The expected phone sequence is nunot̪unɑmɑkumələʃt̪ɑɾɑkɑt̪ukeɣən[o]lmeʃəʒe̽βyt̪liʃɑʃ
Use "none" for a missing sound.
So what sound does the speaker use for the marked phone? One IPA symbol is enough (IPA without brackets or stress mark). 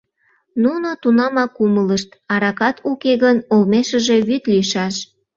o